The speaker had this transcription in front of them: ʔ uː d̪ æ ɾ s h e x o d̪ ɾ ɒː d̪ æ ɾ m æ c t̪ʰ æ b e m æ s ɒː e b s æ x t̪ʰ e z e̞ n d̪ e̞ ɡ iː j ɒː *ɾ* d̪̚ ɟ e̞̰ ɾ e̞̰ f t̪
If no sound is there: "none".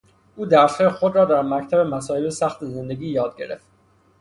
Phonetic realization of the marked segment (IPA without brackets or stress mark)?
none